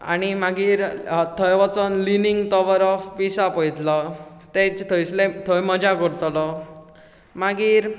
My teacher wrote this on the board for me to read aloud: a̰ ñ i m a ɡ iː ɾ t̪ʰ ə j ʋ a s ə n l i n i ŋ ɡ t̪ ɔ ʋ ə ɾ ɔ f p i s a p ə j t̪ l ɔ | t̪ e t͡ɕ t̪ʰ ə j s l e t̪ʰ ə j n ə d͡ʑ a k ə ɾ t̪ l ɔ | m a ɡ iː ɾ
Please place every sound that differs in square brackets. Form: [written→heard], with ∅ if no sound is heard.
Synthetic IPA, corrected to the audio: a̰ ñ i m a ɡ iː ɾ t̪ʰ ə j ʋ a [s→t͡s] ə n l i n i ŋ ɡ t̪ ɔ ʋ ə ɾ ɔ f p i s a p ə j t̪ l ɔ | t̪ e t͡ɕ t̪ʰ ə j s l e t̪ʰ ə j [n→m] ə d͡ʑ a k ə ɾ t̪ l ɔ | m a ɡ iː ɾ

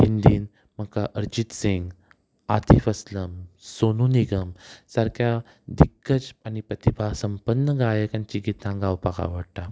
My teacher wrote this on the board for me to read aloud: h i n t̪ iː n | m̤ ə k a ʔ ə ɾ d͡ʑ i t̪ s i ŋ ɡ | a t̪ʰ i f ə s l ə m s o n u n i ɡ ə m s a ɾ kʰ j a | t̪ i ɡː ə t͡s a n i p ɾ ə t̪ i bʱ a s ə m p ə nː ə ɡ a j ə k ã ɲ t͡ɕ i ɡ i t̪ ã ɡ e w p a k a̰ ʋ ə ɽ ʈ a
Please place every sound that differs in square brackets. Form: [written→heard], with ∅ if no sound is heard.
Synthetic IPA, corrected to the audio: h i n [t̪→d̪] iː n | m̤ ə k a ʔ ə ɾ d͡ʑ i t̪ s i ŋ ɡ | a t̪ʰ i f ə s l ə m s o n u n i ɡ ə m s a ɾ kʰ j a | [t̪→d̪] i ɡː ə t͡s a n i p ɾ ə t̪ i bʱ a s ə m p ə nː ə ɡ a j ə k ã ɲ t͡ɕ i ɡ i t̪ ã ɡ [e→a] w p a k a̰ ʋ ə ɽ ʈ a

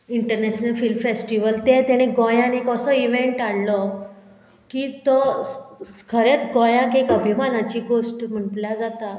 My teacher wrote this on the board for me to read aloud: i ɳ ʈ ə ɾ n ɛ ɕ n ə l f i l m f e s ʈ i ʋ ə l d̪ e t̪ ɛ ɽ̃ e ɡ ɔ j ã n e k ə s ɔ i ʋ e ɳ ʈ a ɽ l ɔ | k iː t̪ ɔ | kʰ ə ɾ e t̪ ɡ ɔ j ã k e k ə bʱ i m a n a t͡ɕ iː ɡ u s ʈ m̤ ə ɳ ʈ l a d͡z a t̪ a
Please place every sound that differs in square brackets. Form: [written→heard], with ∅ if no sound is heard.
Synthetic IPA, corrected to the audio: i ɳ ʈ ə ɾ n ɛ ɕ n ə l f i l m f e s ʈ i ʋ ə l [d̪→t̪] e t̪ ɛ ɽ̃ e ɡ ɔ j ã n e k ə s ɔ i ʋ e ɳ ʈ a ɽ l ɔ | k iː t̪ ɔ | kʰ ə ɾ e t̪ ɡ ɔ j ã k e k ə bʱ i m a n a t͡ɕ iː ɡ [u→o] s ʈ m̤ ə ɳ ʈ l a d͡z a t̪ a

